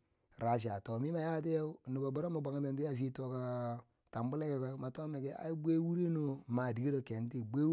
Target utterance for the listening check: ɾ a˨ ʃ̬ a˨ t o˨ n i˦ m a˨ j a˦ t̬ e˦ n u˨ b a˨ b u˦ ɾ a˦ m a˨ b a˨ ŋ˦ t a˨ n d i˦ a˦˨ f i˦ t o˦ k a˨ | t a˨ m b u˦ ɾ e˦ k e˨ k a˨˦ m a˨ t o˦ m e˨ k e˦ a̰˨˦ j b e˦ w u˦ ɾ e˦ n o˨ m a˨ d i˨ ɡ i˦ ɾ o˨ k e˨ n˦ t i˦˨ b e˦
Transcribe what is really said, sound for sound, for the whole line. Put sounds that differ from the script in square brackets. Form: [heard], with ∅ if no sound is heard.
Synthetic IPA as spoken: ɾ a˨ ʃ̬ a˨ t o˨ [m] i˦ m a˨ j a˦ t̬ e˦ n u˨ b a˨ b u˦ ɾ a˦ m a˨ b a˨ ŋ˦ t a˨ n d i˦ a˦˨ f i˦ t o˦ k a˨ | t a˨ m b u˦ [l] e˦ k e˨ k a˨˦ m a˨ t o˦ m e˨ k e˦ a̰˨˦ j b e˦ w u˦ ɾ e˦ n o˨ m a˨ d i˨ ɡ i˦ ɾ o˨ k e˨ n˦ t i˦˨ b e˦